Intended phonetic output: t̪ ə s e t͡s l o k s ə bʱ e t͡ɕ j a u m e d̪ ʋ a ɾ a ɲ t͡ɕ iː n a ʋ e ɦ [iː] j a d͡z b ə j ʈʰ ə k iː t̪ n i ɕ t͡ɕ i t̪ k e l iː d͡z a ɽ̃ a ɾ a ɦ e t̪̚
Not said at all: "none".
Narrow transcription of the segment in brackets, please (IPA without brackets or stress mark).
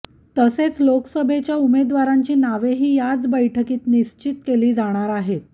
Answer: iː